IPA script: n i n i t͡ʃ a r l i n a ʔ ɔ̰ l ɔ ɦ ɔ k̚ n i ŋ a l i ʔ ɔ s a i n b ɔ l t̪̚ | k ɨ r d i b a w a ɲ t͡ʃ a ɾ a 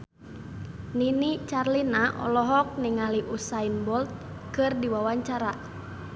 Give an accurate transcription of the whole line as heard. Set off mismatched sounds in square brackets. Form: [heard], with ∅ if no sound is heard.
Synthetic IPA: n i n i t͡ʃ a r l i n a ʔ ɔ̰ l ɔ ɦ ɔ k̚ n i ŋ a l i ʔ [u] s a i n b ɔ l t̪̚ | k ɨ r d i [w] a w a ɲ t͡ʃ a ɾ a